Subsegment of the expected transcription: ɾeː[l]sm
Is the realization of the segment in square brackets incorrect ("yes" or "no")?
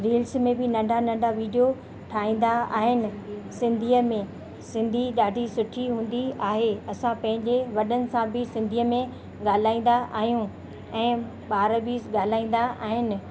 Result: no